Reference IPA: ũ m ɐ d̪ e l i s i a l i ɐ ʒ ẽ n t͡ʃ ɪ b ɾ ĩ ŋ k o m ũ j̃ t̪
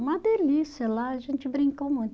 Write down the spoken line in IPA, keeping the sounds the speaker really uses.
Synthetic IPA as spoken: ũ m ɐ d̪ e l i s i ɐ l a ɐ ʒ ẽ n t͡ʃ ɪ b ɾ ĩ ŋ k o m ũ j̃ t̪